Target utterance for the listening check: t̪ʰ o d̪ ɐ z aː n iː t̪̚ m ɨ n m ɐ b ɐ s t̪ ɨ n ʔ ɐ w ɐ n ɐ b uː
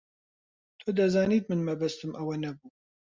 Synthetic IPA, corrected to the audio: t̪ʰ o d̪ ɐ z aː n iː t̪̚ m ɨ n m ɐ b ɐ s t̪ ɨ m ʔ ɐ w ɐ n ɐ b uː